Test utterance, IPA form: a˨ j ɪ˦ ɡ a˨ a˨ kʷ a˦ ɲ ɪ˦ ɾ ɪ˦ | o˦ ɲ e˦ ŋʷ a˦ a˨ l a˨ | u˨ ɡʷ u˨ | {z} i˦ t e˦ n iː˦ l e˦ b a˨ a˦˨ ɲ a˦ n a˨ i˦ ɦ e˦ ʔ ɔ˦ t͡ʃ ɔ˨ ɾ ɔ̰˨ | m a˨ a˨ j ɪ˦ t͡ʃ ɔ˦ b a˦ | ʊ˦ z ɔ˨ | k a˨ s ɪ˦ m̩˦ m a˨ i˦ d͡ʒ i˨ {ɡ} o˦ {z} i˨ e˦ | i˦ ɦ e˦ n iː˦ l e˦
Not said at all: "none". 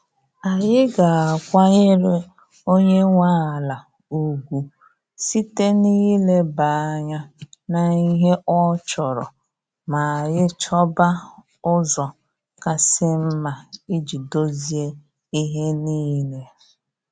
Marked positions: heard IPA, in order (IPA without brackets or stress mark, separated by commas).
s, d, z